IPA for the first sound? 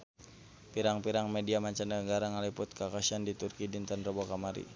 p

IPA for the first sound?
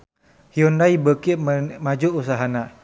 h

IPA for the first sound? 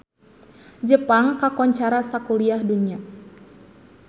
d͡ʒ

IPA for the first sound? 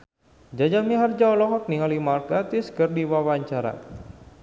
d͡ʒ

